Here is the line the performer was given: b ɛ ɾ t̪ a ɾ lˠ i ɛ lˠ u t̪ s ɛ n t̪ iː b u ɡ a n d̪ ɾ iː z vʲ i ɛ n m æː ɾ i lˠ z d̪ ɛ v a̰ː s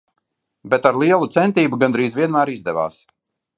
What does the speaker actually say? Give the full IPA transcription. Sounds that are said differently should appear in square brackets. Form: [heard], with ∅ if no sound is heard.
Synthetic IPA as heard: b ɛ [∅] t̪ a ɾ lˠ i ɛ lˠ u t̪ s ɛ n t̪ iː b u ɡ a n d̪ ɾ iː z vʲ i ɛ n m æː ɾ i [∅] z d̪ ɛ v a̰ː s

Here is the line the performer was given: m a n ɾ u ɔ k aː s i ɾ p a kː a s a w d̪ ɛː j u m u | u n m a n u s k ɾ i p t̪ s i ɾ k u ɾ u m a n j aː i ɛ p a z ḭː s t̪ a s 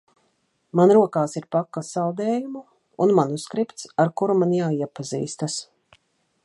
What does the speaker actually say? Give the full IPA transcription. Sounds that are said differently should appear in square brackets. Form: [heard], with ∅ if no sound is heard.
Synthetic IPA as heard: m a n ɾ u ɔ k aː s i ɾ p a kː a s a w d̪ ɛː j u m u | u n m a n u s k ɾ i p t̪ s [a] ɾ k u ɾ u m a n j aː i ɛ p a z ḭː s t̪ a s

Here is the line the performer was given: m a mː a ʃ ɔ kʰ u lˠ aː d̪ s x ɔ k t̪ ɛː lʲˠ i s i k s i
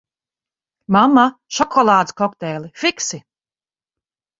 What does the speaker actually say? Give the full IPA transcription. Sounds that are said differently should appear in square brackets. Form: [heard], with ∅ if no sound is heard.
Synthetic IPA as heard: m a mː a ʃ ɔ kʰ [ɔ] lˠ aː d̪ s [k] ɔ k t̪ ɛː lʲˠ i [f] i k s i

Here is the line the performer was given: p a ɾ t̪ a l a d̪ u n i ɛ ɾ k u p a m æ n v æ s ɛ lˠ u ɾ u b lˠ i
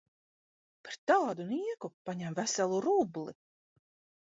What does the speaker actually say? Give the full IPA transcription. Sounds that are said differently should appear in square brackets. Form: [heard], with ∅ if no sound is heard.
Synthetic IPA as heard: p a ɾ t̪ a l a d̪ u n i ɛ [∅] k u p a [ɲ] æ [m] v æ s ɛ lˠ u ɾ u b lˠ i

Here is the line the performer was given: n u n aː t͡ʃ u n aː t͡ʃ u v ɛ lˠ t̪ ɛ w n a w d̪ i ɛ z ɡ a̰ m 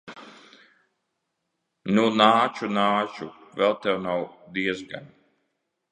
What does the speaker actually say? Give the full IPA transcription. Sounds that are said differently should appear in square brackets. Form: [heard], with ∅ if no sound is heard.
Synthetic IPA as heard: n u n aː t͡ʃ u n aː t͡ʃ u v ɛ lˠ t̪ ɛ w n a w d̪ i ɛ z ɡ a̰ [n]

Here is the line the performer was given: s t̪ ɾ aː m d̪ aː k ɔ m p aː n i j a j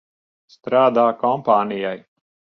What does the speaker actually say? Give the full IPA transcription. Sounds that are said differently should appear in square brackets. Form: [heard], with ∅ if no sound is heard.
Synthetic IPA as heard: s t̪ ɾ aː [∅] d̪ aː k ɔ m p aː n i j a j

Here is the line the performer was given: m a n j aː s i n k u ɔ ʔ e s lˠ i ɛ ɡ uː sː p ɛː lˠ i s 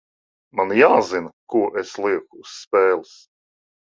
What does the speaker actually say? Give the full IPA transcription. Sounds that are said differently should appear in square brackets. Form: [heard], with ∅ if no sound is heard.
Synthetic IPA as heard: m a n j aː [z] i n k u ɔ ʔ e s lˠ i ɛ [k] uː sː p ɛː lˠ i s

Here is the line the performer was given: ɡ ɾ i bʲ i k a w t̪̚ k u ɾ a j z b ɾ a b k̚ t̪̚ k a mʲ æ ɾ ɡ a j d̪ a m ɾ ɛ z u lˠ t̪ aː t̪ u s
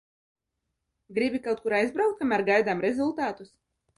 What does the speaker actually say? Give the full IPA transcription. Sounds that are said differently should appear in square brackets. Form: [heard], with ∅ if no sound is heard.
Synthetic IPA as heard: ɡ ɾ i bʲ i k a w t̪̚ k u ɾ a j z b ɾ a [w] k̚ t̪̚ k a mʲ æ ɾ ɡ a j d̪ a m ɾ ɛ z u lˠ t̪ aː t̪ u s

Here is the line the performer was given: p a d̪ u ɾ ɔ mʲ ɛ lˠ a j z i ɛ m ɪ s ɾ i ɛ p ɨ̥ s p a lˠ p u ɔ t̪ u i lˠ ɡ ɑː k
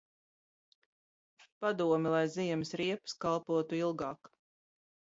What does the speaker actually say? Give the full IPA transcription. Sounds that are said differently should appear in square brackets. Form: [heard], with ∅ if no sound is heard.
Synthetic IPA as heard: p a d̪ u [∅] ɔ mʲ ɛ lˠ a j z i ɛ m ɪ s ɾ i ɛ p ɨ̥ s [k] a lˠ p u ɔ t̪ u i lˠ ɡ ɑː k

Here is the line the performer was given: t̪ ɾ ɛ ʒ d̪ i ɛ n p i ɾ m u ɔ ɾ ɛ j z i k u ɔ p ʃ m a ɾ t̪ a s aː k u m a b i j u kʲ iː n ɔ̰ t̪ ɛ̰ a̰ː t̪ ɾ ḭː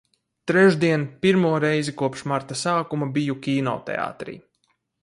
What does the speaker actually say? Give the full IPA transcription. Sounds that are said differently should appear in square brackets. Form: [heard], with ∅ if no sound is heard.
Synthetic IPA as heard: t̪ ɾ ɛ ʒ d̪ i ɛ n p i ɾ m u ɔ ɾ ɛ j z i k u ɔ p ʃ m a ɾ t̪ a s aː k u m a b i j u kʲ iː n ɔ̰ t̪ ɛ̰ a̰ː t̪ ɾ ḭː

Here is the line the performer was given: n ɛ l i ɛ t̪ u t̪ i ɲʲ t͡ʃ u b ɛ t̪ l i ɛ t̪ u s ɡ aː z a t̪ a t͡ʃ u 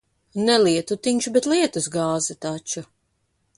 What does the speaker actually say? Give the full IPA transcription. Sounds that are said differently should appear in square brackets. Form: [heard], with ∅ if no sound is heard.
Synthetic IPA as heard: n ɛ l i ɛ t̪ u t̪ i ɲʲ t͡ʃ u b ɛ t̪ l i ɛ t̪ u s ɡ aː z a t̪ a t͡ʃ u

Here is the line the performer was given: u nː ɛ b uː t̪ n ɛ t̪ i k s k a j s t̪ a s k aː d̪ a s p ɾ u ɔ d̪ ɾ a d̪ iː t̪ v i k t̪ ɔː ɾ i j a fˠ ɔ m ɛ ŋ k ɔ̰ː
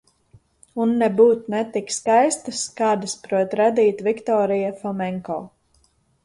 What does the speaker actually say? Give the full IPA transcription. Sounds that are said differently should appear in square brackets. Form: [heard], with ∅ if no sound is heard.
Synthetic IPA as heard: u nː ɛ b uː t̪ n ɛ t̪ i k s k a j s t̪ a s k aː d̪ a s p ɾ u ɔ [t̪] ɾ a d̪ iː t̪ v i k t̪ ɔː ɾ i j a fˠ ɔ m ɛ ŋ k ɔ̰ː

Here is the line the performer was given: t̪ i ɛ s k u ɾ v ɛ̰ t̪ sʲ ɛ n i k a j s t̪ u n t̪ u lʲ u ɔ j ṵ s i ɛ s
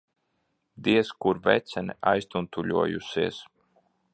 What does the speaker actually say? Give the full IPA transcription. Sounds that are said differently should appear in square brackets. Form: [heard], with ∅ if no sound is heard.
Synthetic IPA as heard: [d̪] i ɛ s k u ɾ v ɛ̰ t̪ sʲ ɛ n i [∅] a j s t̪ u n t̪ u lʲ u ɔ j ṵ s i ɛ s

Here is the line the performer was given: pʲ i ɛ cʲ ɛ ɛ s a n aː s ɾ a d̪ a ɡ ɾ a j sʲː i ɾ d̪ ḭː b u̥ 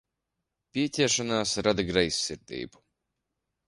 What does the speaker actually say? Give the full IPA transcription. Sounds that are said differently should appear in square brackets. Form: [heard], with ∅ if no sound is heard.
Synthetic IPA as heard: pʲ i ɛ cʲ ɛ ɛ [ʃ] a n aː s ɾ a d̪ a ɡ ɾ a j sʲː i ɾ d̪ ḭː b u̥

